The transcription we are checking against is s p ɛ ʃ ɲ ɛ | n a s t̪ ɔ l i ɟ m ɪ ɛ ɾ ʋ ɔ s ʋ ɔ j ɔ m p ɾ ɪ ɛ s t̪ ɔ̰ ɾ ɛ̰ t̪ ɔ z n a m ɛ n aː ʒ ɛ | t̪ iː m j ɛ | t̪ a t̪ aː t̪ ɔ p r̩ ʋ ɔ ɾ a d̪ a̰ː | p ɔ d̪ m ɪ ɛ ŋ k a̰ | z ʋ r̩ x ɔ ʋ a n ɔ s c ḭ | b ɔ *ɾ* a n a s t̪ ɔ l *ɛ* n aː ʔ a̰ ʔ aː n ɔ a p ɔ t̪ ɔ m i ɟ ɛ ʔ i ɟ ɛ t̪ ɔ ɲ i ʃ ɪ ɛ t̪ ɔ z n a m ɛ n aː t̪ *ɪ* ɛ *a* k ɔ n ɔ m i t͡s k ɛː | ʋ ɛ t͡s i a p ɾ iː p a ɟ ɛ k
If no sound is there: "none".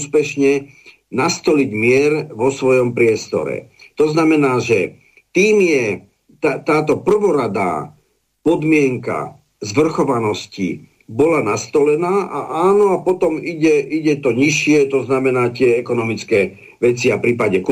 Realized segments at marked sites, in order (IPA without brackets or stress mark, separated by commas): l, ɛ, ɪ, ɛ